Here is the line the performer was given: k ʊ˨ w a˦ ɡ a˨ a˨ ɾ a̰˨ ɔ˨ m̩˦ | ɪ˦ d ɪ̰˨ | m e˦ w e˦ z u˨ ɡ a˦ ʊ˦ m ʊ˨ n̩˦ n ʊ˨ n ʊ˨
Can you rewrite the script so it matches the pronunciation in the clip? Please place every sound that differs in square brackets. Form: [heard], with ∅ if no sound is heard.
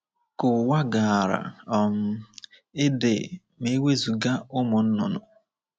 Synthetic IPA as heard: k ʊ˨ w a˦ ɡ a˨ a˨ ɾ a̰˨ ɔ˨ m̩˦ | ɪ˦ d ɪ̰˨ | m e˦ w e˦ z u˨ ɡ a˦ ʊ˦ m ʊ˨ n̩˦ n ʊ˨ n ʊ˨